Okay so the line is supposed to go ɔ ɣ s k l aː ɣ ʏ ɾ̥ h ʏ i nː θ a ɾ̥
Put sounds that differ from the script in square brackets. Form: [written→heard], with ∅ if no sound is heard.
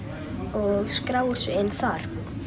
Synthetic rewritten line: ɔ ɣ s k [l→ɾ] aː [ɣ→w] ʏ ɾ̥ [h→s] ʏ [i→ɪ] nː θ a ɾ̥